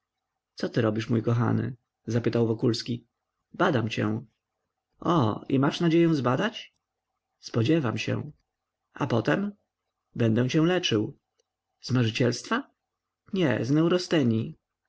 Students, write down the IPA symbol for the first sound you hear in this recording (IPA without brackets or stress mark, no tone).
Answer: t̪